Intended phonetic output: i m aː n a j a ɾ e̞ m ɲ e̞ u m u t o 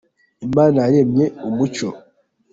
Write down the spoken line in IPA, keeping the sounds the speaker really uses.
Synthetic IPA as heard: i m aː n a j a ɾ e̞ m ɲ e̞ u m u t͡ʃ o